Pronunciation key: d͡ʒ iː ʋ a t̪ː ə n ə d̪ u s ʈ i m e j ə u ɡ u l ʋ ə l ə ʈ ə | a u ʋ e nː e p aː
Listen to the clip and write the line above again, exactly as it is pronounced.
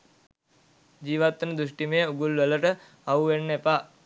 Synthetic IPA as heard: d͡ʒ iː ʋ a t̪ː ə n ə d̪ u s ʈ i m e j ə u ɡ u l ʋ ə l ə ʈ ə | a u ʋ e nː e p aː